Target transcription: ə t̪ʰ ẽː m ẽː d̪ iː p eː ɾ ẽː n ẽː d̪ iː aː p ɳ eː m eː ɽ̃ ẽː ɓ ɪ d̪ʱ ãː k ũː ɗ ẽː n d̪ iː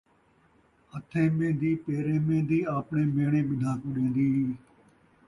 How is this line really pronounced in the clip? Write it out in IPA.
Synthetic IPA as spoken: ə t̪ʰ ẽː m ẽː d̪ iː p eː ɾ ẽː m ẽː d̪ iː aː p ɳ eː m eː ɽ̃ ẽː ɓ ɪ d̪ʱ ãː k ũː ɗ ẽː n d̪ iː